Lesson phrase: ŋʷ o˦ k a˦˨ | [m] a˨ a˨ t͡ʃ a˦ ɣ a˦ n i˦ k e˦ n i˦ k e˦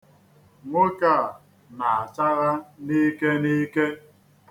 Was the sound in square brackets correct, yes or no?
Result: no